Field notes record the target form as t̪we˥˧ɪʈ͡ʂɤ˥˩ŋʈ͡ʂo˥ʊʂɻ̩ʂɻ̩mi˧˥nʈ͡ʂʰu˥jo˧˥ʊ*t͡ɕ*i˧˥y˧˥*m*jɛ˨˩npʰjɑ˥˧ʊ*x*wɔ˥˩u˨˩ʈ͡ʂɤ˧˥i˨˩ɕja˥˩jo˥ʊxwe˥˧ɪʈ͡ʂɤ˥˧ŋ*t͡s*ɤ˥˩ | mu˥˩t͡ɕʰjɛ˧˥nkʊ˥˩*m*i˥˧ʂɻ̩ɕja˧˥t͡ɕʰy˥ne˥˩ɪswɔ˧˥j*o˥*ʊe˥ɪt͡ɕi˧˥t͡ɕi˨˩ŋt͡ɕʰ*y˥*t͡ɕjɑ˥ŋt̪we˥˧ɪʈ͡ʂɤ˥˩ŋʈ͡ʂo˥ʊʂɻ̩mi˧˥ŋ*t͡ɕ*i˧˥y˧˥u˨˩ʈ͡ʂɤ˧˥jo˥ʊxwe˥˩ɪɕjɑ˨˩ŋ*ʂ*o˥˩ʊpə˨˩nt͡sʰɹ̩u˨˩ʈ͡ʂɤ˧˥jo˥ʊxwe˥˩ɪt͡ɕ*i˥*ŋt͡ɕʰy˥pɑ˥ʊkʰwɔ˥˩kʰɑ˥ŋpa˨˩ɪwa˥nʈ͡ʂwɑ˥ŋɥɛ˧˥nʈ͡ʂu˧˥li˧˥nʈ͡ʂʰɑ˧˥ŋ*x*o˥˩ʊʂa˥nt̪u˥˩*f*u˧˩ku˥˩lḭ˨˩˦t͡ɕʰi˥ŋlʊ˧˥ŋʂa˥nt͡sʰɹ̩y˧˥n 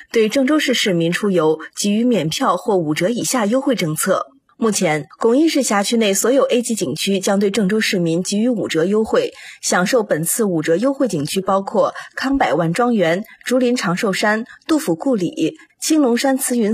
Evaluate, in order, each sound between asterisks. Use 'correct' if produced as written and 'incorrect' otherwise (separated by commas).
correct, correct, correct, incorrect, incorrect, incorrect, correct, correct, correct, incorrect, incorrect, correct